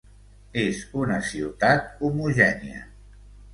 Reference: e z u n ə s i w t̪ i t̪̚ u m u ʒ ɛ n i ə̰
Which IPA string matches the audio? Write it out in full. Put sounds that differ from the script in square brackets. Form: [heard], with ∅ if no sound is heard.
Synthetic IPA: e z u n ə s i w t̪ [a] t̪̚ u m u ʒ ɛ n i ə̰